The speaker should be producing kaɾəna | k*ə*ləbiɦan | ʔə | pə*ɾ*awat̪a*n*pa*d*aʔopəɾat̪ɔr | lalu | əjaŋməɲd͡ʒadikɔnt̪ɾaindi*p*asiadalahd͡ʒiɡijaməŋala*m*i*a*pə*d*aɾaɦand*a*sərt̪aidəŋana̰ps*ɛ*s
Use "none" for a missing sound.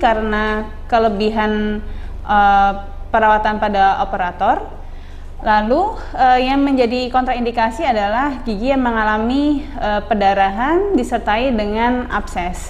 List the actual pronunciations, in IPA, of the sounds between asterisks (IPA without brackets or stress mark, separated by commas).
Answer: ə, ɾ, n, d, k, m, ə, d, i, ɛ